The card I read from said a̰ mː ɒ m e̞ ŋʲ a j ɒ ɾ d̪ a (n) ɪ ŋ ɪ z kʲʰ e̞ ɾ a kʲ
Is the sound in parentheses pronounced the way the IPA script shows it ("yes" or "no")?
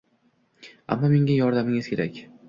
no